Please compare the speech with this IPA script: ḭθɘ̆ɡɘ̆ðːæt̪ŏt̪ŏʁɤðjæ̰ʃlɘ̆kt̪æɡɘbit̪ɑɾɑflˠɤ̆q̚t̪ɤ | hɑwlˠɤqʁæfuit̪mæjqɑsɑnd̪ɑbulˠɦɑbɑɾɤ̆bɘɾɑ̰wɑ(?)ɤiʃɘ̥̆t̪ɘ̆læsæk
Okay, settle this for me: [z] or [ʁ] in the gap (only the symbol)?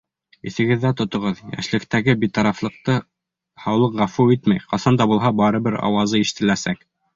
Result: z